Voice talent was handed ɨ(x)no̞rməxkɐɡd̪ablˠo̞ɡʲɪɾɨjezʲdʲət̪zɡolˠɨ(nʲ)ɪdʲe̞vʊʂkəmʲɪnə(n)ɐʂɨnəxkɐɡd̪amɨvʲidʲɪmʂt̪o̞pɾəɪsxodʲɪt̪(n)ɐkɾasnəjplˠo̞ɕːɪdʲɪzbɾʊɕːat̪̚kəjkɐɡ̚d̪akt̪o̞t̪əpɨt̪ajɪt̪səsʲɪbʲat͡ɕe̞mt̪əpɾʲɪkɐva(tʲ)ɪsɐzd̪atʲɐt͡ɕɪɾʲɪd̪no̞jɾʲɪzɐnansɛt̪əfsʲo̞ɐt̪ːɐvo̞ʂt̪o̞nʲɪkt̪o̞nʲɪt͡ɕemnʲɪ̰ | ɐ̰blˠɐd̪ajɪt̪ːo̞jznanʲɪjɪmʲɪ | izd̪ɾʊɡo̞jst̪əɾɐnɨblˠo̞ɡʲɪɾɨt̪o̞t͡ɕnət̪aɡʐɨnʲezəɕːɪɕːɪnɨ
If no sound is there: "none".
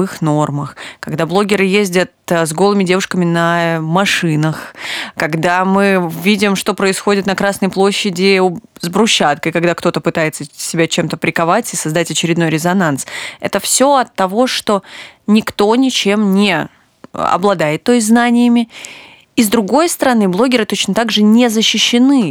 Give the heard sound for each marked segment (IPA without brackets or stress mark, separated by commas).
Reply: x, mʲ, m, n, tʲ